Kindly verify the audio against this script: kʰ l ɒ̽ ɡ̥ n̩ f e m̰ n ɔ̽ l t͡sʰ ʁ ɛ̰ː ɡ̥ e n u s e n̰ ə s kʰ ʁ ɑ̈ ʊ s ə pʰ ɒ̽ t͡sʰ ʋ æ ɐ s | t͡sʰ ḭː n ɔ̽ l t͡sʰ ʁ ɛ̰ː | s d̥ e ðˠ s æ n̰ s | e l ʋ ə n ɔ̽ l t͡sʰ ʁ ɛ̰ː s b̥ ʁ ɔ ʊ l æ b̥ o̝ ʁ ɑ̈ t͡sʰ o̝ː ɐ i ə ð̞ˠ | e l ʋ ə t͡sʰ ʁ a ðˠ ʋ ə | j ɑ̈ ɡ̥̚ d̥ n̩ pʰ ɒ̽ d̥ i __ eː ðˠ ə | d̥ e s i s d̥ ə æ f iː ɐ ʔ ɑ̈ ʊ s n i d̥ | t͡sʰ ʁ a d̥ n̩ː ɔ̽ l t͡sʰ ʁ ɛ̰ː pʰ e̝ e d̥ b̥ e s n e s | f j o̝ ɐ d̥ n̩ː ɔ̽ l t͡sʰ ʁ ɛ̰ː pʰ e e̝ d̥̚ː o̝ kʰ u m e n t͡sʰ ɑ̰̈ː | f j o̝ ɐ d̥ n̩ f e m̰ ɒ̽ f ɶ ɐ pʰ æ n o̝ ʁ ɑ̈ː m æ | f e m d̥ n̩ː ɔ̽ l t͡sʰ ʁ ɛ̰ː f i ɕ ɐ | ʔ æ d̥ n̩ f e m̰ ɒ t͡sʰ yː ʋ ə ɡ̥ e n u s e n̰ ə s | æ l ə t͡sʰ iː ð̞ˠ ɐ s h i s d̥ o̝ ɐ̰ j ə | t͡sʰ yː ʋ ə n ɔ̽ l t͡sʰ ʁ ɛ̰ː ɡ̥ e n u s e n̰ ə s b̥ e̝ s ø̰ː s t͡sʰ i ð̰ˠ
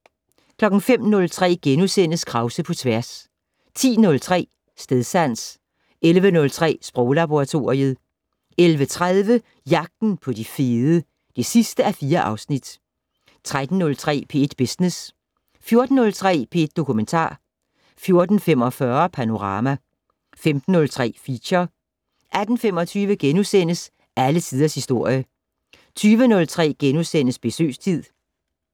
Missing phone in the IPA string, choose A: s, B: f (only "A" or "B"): B